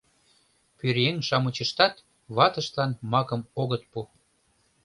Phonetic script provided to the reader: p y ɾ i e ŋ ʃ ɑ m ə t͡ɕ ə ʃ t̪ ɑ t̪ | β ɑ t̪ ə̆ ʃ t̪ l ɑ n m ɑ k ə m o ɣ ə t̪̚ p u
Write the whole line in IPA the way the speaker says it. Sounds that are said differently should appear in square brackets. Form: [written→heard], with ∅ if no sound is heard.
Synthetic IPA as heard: p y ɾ [i→j] e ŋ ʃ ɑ m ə t͡ɕ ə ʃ t̪ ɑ t̪ | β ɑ t̪ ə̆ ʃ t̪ l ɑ n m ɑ k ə m o ɣ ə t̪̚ p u